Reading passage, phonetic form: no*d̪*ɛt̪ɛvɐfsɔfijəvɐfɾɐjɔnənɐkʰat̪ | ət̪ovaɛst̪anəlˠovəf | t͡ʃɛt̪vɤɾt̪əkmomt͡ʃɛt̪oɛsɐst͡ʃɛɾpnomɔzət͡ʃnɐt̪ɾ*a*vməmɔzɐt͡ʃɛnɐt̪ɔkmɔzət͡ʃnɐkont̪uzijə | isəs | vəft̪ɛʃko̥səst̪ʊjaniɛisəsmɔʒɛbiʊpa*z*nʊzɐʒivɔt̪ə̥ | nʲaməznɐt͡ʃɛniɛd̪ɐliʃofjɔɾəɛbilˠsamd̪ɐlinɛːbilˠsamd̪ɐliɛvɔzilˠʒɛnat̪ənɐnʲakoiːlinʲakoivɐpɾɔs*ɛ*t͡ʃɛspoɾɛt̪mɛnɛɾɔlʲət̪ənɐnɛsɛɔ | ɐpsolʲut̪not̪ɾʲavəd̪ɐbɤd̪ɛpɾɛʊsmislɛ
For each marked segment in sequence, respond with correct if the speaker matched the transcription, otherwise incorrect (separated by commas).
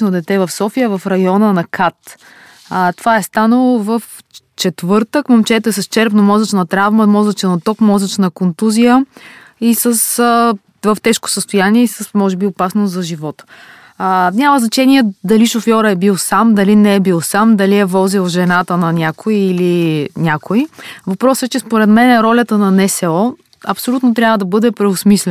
correct, correct, incorrect, correct